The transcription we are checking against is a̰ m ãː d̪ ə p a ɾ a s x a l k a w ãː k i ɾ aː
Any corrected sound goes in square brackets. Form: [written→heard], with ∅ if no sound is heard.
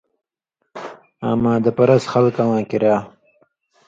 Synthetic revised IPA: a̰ m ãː d̪ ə p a ɾ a s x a l k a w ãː k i ɾ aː